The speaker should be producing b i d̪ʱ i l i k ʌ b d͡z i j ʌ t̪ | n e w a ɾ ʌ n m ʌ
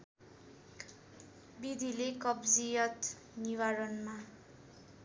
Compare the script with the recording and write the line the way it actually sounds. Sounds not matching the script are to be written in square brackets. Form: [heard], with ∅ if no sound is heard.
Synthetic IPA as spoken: b i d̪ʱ i l [e] k ʌ b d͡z i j ʌ t̪ | n [i] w a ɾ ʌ n m [a]